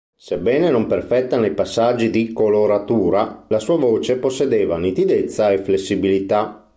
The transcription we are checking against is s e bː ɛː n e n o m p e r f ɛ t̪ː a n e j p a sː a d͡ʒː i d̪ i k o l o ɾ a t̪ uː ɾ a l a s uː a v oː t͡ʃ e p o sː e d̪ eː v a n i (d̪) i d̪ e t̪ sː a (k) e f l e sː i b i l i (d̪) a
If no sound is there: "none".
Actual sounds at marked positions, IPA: t̪, none, t̪

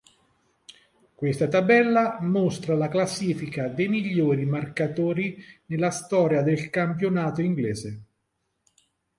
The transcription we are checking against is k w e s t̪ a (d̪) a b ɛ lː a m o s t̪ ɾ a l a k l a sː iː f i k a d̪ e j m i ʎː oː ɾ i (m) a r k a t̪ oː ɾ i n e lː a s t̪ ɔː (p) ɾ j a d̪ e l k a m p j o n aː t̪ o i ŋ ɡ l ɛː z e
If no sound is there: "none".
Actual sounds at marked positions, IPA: t̪, m, none

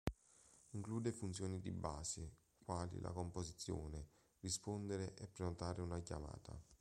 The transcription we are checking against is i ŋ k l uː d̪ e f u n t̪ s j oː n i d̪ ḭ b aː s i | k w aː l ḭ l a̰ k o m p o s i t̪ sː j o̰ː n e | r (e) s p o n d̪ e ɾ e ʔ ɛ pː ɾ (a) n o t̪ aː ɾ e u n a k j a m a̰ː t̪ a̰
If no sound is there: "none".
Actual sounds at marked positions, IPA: i, e

